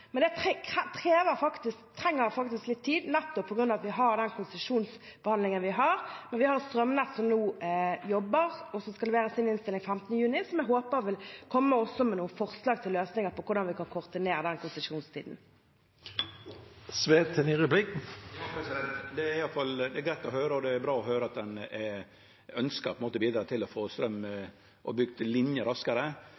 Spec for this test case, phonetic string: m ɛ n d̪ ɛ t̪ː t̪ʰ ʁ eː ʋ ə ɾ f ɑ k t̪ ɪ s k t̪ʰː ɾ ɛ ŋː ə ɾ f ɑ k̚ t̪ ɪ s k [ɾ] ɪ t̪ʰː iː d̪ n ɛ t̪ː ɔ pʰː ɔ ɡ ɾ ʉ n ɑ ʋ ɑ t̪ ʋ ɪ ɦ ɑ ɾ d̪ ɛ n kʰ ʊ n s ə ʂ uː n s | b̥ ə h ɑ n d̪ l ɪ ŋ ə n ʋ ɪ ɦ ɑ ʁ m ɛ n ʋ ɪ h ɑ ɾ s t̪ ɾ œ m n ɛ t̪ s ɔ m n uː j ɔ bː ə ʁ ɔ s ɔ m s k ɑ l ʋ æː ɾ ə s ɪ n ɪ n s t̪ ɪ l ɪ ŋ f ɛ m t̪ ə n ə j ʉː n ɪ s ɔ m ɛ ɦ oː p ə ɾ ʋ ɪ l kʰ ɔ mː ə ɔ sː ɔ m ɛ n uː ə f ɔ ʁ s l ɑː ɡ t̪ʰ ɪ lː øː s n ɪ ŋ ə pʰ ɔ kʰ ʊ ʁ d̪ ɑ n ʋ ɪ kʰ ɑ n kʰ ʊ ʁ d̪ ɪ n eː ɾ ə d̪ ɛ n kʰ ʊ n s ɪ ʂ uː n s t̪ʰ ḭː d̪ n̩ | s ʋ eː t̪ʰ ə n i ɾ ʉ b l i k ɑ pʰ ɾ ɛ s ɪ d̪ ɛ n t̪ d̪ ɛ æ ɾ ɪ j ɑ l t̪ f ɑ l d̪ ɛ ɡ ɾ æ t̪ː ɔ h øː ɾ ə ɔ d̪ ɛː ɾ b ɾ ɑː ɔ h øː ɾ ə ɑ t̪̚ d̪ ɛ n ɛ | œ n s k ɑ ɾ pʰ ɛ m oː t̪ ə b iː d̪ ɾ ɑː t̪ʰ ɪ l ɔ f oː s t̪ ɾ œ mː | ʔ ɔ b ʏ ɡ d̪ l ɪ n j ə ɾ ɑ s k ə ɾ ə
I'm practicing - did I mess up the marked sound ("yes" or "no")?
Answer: yes